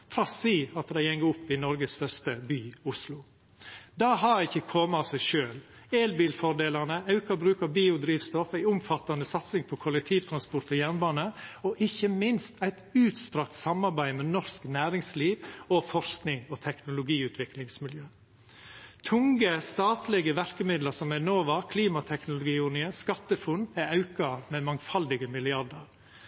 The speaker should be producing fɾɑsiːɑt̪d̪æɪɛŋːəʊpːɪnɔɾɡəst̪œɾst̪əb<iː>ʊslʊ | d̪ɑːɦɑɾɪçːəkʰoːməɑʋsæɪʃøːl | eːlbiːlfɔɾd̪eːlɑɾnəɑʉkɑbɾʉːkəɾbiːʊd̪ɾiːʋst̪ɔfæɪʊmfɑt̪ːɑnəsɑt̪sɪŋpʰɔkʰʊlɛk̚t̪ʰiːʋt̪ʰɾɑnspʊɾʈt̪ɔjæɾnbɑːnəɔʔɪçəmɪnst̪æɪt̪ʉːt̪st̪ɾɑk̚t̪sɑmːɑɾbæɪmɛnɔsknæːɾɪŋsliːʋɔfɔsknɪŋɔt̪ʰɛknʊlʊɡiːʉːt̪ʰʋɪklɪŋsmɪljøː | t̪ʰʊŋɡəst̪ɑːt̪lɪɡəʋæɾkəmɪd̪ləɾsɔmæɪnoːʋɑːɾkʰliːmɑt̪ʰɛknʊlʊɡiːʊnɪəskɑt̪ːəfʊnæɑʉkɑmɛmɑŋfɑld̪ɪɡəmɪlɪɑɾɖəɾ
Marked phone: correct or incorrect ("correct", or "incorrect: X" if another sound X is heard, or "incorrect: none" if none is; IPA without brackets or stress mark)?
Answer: incorrect: yː